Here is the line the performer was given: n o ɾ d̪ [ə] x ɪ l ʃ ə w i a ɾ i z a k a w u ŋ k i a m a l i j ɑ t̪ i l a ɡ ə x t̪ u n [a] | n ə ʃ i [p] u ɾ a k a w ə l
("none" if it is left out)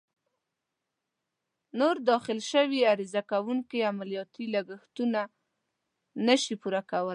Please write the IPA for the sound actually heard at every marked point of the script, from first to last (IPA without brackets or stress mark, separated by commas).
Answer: ɑ, a, p